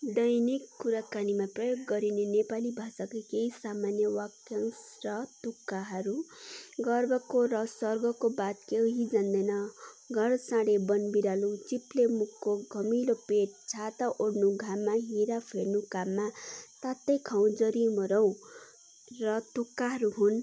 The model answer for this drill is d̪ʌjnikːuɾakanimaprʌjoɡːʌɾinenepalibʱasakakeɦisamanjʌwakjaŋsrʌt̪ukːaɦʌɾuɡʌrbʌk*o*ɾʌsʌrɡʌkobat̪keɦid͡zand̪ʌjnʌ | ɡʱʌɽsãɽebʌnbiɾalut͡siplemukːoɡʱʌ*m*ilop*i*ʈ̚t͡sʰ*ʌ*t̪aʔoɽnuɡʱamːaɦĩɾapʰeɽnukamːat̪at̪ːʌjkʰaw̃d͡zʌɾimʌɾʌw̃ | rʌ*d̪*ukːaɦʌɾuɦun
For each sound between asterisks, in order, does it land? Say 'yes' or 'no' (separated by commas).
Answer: yes, yes, no, no, no